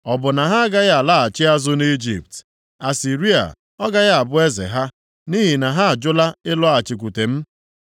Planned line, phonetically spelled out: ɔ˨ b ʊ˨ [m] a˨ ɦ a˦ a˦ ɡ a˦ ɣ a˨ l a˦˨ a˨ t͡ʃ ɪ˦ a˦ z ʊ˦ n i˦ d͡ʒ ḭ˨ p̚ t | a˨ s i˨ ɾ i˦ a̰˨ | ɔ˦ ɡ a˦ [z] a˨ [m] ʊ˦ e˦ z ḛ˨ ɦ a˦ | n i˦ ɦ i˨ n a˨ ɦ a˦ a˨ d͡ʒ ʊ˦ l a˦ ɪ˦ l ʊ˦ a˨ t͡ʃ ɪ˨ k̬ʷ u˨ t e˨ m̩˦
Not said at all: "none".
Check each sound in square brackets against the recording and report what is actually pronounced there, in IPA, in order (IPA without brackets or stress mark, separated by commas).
n, ɣ, b